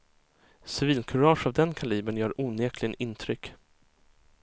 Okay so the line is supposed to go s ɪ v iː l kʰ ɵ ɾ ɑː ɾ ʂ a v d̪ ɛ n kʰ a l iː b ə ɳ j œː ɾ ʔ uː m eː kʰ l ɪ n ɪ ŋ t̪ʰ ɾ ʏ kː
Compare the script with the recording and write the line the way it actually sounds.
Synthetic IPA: s ɪ v iː l kʰ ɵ ɾ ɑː ʂ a v d̪ ɛ n kʰ a l iː b ə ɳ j œː ɾ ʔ uː n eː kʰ l ɪ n ɪ n t̪ʰ ɾ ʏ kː